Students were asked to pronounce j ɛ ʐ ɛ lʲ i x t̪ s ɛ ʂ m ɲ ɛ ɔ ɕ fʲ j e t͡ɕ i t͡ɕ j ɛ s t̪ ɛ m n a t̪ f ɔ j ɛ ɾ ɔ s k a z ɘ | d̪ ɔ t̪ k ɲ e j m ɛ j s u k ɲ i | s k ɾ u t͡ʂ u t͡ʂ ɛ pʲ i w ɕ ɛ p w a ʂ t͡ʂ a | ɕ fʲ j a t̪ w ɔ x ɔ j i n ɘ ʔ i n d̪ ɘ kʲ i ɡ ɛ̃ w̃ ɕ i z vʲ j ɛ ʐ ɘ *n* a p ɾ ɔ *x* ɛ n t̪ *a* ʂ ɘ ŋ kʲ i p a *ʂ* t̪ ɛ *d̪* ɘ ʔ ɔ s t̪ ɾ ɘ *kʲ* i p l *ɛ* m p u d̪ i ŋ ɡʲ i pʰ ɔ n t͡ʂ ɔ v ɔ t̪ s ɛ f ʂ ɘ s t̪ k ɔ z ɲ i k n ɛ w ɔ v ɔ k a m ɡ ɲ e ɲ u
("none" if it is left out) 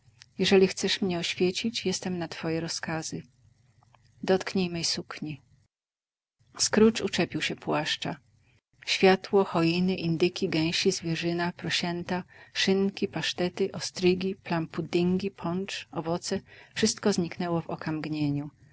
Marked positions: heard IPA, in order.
n, ɕ, a, ʂ, t̪, ɡʲ, a

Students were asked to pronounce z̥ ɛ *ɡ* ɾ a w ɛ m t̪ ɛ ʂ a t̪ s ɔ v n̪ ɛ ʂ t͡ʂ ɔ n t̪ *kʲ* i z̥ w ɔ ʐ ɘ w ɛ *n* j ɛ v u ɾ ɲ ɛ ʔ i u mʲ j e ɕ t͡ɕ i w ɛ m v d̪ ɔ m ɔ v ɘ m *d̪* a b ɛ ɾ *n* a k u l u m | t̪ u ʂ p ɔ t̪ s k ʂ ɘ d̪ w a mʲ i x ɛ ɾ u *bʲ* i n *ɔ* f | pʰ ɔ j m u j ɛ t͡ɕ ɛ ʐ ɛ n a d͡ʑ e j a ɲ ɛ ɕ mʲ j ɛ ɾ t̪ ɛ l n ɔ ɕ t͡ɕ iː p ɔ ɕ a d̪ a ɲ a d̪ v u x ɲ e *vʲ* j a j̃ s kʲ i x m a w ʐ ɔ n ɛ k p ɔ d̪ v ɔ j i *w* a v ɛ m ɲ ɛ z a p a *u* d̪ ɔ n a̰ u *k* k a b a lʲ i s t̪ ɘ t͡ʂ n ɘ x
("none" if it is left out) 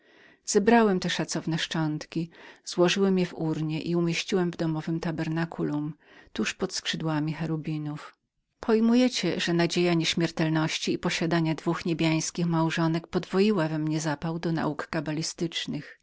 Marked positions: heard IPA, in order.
b, kʲ, m, t̪, n, bʲ, u, bʲ, w, w, k

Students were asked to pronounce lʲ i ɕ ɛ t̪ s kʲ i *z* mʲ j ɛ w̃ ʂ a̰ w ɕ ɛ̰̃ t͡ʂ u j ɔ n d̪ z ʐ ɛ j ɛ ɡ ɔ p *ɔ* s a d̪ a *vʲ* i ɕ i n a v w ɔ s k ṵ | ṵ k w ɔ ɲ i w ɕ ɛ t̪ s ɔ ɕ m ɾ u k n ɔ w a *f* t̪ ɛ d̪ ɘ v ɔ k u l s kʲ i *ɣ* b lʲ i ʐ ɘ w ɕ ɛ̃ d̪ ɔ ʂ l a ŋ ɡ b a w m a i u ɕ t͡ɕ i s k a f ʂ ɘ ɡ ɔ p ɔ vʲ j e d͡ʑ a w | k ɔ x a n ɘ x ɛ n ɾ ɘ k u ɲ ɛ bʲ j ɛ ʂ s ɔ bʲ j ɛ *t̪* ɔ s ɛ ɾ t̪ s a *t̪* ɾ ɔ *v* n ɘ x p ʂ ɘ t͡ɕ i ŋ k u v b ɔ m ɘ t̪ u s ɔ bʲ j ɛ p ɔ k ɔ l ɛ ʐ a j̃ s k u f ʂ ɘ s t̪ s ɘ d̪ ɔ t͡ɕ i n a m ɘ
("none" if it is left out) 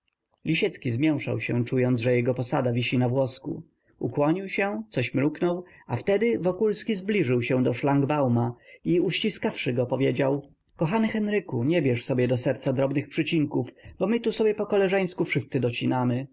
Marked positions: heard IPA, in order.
z, ɔ, vʲ, f, z, d̪, d̪, b

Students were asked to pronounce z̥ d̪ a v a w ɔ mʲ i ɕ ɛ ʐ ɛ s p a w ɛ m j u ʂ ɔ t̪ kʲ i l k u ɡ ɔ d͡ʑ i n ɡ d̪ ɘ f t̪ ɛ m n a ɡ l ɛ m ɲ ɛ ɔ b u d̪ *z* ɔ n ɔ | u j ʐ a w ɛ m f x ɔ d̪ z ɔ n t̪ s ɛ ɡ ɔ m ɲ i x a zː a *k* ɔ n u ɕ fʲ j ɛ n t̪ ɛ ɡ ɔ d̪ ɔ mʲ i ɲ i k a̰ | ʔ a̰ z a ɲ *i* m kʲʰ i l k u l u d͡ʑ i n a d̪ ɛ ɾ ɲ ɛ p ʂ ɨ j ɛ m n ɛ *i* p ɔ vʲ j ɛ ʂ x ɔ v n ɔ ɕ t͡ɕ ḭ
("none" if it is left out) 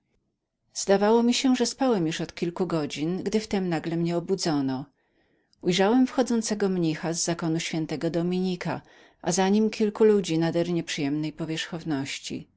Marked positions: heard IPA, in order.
z, k, i, j

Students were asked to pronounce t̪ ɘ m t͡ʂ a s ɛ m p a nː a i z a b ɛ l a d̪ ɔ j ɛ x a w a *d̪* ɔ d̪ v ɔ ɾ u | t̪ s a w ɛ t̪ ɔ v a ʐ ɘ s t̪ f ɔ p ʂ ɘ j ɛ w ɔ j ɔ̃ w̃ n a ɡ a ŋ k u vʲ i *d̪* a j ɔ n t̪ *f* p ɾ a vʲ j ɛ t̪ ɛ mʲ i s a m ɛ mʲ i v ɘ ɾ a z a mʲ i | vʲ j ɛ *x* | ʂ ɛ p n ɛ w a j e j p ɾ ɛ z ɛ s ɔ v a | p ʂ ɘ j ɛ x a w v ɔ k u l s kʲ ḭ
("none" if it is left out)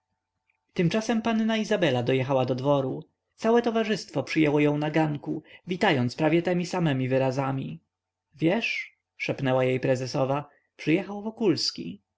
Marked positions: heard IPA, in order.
d̪, t̪, s, ʂ

